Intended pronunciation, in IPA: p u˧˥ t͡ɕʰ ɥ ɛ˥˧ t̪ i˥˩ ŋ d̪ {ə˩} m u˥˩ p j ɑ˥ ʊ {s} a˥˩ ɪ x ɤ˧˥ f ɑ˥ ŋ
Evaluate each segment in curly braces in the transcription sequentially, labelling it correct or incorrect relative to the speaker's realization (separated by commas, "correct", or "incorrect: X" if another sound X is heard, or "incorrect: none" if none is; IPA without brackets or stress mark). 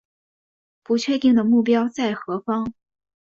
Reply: correct, incorrect: t͡s